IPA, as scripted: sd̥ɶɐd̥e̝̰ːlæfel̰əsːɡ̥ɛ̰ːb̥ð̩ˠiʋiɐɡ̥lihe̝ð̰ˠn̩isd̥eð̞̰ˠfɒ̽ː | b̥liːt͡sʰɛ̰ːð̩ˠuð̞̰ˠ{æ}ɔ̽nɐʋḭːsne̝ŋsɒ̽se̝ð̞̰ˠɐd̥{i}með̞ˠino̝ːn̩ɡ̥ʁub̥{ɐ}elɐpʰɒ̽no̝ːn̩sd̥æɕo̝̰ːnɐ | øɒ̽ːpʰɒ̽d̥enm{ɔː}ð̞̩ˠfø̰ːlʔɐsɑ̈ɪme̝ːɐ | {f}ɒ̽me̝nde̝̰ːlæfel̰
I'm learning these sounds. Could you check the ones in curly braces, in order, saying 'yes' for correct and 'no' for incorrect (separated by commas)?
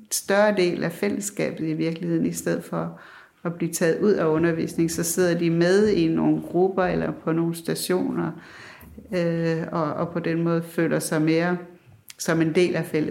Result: yes, yes, yes, yes, no